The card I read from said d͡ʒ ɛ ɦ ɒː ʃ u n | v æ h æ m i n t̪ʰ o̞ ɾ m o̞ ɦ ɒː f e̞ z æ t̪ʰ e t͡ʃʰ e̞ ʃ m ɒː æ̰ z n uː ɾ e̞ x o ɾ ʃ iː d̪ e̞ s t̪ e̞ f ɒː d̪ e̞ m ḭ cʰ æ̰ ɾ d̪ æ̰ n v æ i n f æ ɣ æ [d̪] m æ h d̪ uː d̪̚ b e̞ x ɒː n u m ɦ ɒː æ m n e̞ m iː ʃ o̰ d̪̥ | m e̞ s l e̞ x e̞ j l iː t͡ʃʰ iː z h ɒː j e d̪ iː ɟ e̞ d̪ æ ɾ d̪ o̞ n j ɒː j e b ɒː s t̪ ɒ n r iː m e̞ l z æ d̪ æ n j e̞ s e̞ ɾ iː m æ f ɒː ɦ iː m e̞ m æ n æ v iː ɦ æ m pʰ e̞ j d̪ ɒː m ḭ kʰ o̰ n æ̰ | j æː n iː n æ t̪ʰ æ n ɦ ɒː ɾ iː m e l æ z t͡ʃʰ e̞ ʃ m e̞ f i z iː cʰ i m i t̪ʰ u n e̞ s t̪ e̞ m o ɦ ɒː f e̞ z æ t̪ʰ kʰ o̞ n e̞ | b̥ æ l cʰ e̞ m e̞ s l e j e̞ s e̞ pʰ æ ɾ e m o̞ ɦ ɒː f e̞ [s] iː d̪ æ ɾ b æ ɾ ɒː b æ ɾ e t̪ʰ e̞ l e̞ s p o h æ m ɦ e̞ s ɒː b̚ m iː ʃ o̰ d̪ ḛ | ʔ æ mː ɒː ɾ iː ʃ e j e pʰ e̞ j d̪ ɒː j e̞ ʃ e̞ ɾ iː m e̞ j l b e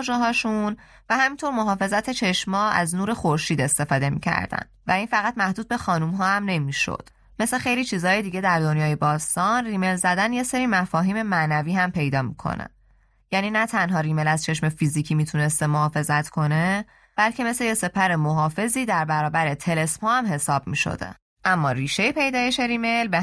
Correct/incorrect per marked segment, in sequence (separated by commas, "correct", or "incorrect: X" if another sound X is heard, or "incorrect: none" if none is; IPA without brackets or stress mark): incorrect: t̪, incorrect: z